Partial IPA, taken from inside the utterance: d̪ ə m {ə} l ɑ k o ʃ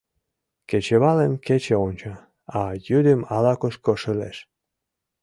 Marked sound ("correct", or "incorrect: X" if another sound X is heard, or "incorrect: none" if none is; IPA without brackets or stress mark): incorrect: ɑ